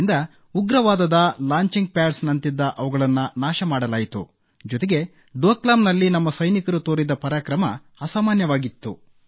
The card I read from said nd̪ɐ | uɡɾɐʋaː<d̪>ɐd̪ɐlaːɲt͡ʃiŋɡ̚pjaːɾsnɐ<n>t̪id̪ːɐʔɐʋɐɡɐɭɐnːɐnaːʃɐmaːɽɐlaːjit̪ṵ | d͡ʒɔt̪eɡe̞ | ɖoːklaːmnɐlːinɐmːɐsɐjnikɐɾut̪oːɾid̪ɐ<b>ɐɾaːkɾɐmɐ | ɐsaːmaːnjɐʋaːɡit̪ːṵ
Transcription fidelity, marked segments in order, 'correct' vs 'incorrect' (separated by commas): correct, correct, incorrect